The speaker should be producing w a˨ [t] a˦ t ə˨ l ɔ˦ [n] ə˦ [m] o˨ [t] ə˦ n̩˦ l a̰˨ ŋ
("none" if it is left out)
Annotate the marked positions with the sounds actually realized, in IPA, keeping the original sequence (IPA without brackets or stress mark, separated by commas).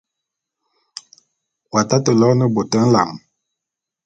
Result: t, n, b, t